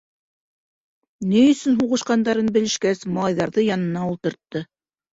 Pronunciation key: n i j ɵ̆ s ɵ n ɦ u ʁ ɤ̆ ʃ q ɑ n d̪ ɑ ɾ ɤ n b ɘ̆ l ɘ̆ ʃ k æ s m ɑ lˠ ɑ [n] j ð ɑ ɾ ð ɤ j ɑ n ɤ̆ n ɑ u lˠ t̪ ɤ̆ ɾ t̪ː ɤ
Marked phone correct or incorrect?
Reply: incorrect